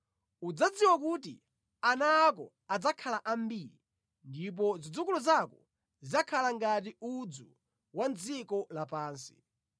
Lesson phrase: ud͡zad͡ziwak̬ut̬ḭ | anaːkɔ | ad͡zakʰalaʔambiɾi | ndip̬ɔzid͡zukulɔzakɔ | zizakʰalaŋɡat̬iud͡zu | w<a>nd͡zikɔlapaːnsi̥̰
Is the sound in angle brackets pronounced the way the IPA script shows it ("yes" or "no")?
yes